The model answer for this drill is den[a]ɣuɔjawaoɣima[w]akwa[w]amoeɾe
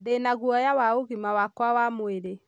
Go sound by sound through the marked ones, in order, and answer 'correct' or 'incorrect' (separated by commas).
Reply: correct, correct, correct